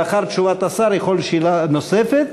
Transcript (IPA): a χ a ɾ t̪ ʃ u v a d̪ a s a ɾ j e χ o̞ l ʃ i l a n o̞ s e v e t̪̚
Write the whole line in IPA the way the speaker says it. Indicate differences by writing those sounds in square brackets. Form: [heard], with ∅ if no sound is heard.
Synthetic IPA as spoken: a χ a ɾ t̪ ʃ u v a [t̪] a s a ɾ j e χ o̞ l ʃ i l a n o̞ s e [f] e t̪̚